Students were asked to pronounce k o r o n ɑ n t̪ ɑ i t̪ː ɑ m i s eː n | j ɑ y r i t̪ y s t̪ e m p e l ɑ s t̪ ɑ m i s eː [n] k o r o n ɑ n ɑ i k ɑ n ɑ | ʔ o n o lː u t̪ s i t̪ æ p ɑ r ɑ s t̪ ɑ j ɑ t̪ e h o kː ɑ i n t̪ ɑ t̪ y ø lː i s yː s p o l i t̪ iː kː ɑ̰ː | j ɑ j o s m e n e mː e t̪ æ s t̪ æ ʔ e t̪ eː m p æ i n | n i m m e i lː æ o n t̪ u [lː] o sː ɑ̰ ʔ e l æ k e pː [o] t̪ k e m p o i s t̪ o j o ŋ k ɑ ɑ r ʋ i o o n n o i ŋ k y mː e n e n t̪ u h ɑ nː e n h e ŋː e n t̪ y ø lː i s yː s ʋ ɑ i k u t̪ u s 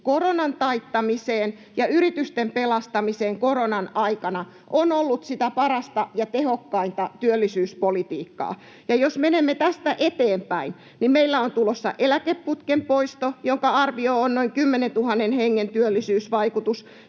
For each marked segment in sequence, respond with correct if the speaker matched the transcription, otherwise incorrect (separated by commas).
incorrect, incorrect, incorrect